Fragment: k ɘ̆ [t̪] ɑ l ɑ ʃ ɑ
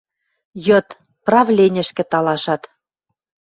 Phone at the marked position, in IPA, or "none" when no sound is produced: t̪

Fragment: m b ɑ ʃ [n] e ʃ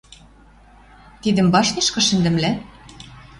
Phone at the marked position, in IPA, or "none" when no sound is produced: n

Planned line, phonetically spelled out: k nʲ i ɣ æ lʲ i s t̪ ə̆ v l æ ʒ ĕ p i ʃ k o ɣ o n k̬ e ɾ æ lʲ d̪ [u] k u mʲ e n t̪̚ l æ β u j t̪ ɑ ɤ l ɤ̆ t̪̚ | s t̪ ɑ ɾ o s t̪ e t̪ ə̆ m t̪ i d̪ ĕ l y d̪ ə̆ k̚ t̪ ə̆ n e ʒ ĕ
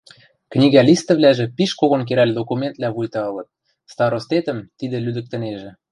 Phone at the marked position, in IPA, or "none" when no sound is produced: o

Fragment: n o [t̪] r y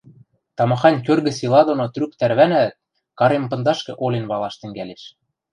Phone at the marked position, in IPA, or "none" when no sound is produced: t̪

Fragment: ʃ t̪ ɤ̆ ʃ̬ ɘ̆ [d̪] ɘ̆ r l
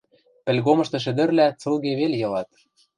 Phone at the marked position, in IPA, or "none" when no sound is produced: d̪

